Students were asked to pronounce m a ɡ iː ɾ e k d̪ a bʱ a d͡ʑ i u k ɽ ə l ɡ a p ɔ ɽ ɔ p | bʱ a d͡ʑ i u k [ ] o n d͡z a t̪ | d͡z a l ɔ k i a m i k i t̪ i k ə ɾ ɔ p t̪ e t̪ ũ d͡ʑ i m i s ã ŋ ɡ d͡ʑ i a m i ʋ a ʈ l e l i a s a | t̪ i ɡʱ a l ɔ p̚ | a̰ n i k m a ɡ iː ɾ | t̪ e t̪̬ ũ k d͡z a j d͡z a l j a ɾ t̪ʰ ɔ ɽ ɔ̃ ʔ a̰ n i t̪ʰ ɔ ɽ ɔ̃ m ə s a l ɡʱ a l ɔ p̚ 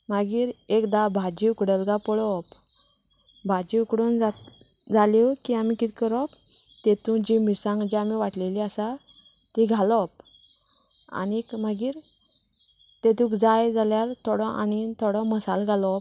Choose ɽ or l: ɽ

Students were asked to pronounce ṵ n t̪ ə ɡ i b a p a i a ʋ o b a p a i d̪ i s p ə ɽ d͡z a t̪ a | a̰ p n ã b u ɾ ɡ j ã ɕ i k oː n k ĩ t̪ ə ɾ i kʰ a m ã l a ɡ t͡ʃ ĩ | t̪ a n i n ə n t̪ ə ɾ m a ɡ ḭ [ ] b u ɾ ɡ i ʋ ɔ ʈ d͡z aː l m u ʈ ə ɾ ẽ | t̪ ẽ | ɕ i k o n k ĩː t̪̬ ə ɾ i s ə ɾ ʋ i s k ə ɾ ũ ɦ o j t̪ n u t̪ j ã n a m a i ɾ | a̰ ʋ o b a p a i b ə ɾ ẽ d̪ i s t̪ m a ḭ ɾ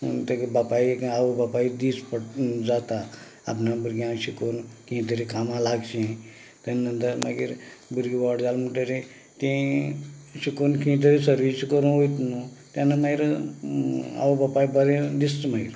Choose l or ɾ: ɾ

